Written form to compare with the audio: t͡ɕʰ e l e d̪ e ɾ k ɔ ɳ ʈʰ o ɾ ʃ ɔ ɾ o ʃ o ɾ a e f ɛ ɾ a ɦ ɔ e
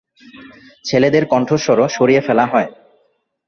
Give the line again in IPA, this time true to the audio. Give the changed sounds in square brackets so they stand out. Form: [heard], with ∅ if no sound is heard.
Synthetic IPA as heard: t͡ɕʰ e l e d̪ e ɾ k ɔ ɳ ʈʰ o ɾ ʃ ɔ ɾ o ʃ o ɾ [i] e f ɛ [l] a ɦ ɔ e